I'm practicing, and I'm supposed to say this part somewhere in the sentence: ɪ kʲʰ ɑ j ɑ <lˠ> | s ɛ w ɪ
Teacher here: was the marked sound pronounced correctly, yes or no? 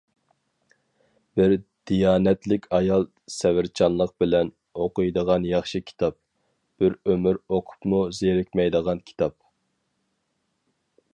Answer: yes